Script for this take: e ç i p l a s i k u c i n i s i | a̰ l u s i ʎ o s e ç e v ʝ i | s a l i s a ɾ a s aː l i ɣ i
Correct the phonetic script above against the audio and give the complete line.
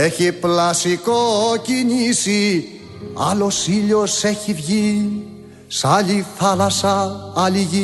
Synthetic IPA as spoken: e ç i p l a s i k o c i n i s i | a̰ l o s i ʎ o s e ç i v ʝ i | s a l i f a l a s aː l i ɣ i